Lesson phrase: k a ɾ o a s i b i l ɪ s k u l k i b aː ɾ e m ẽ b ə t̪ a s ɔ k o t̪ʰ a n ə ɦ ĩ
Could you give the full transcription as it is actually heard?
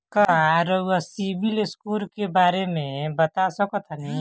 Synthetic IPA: k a ɾ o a s i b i l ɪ s k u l k e b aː ɾ e m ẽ b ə t̪ a s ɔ k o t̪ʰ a n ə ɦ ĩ